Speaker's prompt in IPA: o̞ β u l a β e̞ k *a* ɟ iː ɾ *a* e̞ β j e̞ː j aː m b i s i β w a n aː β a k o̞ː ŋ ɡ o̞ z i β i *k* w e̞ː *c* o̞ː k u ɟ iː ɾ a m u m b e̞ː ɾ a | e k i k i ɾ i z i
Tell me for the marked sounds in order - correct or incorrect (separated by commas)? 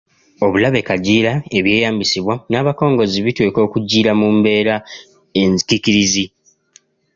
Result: correct, correct, incorrect, incorrect